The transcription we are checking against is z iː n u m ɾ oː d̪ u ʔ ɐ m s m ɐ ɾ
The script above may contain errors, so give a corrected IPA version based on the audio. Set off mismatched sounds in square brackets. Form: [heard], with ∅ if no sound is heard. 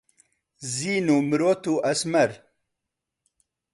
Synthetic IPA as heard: z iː n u m ɾ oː [t̪] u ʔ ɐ [∅] s m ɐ ɾ